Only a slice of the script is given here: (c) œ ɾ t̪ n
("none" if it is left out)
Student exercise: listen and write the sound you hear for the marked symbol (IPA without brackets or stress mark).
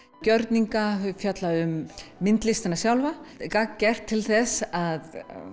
c